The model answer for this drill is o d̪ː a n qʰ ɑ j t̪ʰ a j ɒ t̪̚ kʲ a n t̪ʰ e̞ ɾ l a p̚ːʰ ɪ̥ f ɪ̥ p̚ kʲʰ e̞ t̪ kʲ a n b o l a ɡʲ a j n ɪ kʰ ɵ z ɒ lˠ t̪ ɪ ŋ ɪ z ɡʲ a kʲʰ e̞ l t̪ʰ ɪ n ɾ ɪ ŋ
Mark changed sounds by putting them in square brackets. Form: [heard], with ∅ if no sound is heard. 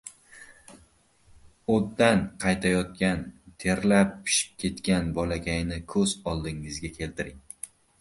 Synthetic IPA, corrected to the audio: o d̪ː a n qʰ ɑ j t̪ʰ a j ɒ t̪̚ kʲ a n t̪ʰ e̞ ɾ l a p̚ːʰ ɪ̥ [ʃ] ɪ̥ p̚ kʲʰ e̞ t̪ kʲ a n b [ɒ] l a ɡʲ a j n ɪ kʰ ɵ z ɒ lˠ [d̪] ɪ ŋ ɪ z ɡʲ a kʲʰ e̞ l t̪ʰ ɪ [∅] ɾ ɪ ŋ